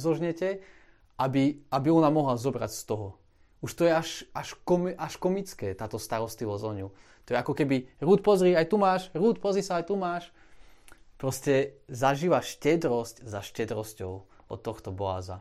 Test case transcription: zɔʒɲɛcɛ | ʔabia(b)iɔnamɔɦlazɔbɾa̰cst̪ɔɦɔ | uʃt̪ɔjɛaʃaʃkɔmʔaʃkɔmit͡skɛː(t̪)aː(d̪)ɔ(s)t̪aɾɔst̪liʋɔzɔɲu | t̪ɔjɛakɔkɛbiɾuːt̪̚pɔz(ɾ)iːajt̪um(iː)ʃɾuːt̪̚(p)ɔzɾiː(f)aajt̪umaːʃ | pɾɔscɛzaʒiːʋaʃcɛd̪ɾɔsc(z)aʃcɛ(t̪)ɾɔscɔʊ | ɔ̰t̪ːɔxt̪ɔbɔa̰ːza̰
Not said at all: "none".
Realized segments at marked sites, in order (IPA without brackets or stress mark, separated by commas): b, t̪, t̪, s, ɾ, aː, p, s, z, d̪